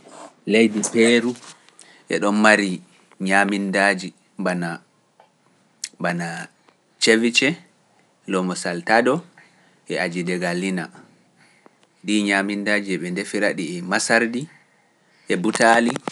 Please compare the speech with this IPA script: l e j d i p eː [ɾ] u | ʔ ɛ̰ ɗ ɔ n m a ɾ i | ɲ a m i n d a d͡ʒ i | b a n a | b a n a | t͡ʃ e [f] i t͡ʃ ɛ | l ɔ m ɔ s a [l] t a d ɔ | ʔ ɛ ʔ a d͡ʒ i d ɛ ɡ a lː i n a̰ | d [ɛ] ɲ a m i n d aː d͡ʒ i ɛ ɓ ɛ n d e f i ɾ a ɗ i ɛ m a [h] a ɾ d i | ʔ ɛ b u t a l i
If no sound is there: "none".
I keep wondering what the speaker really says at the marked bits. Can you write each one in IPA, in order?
ɾ, v, l, i, s

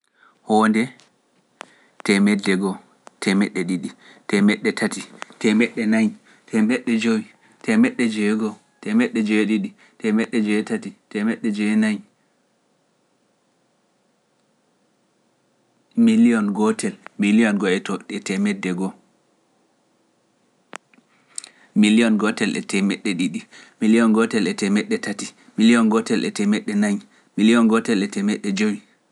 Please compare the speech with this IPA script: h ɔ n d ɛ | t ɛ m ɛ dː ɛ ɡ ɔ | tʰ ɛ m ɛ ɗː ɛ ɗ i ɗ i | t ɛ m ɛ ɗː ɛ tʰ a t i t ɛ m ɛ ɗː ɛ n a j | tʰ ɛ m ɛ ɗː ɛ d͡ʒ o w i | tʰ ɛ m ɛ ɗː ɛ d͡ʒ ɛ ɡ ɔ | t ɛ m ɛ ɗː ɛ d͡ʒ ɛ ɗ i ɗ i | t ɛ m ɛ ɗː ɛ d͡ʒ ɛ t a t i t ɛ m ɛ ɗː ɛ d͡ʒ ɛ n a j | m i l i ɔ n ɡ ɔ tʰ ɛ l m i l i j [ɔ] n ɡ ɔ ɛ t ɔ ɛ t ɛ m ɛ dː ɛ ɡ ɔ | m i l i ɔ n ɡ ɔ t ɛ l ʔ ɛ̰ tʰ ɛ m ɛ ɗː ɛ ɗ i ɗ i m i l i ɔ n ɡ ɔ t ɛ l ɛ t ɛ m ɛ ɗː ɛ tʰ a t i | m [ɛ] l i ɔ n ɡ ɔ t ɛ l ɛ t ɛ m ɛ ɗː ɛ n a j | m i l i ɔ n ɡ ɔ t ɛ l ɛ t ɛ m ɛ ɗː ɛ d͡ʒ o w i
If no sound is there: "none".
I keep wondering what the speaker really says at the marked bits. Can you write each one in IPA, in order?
ɔ, i

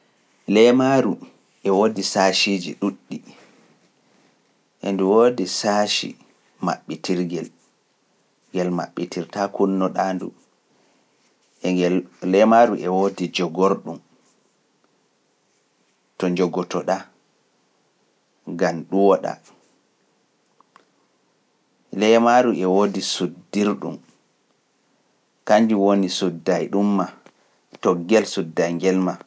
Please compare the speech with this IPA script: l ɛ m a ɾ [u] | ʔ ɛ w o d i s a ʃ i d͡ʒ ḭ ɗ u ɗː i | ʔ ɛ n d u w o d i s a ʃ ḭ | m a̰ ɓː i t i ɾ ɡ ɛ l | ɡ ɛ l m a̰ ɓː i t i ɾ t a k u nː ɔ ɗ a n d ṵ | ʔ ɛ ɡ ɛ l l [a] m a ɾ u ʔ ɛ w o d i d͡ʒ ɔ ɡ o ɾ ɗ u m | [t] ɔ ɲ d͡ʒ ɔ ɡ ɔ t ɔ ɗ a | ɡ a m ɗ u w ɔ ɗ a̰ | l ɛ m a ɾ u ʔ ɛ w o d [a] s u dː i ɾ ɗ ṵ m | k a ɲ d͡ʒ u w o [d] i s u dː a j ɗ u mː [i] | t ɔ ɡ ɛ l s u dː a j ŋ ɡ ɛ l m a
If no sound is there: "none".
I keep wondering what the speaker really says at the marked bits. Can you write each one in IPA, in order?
u, ɛ, t, i, n, a

